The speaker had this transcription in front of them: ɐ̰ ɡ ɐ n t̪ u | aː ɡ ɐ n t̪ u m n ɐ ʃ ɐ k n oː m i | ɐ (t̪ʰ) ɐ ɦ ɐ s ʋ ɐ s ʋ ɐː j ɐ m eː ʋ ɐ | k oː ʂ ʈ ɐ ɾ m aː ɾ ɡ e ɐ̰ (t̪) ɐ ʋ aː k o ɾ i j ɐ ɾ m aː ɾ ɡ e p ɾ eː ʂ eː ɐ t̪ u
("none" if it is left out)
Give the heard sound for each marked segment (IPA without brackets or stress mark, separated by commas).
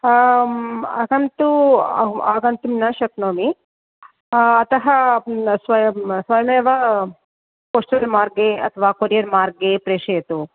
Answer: t̪, t̪ʰ